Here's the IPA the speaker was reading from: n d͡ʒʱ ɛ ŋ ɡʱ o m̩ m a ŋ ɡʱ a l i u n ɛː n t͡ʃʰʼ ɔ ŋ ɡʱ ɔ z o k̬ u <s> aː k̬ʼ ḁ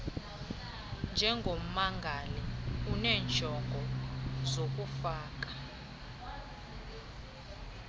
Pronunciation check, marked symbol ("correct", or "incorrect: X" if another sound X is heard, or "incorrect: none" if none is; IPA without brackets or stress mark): incorrect: f